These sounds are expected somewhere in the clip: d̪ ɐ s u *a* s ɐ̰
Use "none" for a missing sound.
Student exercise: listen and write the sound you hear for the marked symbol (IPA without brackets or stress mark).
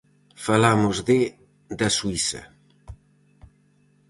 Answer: i